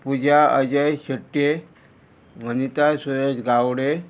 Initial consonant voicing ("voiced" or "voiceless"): voiceless